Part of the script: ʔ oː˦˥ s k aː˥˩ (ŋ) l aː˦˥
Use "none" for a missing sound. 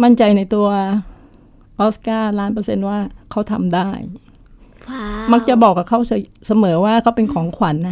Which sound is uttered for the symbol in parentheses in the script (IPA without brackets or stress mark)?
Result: none